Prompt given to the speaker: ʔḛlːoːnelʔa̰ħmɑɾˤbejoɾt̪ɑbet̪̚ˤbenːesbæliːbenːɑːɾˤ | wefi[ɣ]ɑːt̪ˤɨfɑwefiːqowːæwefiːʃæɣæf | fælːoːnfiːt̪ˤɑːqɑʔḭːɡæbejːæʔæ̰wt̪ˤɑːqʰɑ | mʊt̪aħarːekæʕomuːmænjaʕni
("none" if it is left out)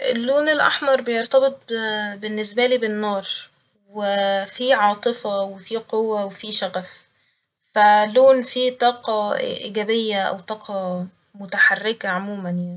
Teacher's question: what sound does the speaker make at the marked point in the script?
ʕ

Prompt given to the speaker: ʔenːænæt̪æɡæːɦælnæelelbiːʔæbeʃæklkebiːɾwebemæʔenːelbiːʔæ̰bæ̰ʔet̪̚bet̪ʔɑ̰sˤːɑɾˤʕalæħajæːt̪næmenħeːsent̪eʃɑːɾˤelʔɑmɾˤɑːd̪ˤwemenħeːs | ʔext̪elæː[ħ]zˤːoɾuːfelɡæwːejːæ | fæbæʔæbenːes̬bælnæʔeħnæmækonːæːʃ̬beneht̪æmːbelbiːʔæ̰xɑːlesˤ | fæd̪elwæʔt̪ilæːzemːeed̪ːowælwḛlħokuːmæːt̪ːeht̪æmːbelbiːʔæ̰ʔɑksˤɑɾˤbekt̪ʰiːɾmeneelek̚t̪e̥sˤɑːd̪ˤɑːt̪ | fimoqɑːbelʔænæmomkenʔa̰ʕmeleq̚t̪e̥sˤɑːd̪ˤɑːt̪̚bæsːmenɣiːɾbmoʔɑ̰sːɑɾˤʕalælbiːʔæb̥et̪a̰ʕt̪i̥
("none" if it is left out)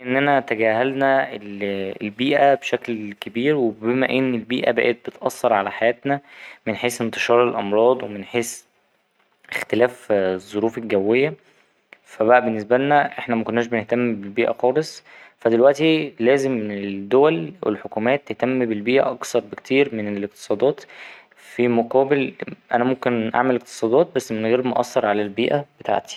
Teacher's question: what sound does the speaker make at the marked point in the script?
f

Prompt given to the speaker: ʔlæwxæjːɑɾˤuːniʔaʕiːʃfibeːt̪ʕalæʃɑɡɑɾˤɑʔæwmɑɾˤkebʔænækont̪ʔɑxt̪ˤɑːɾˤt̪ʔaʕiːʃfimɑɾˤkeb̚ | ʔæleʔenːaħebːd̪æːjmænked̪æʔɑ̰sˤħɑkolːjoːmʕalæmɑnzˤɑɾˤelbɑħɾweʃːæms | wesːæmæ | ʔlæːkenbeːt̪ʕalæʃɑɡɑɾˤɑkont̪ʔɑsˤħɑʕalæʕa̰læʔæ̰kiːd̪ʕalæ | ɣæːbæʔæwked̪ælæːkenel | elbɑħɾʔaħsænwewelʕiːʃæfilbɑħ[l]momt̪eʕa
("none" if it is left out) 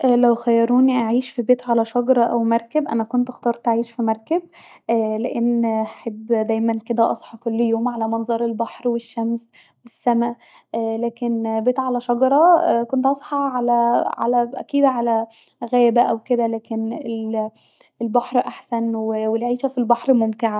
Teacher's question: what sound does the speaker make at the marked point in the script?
ɾ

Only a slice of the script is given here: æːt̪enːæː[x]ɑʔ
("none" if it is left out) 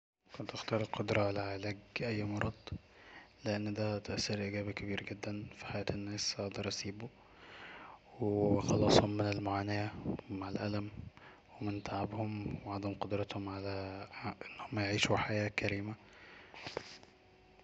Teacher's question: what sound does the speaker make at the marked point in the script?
s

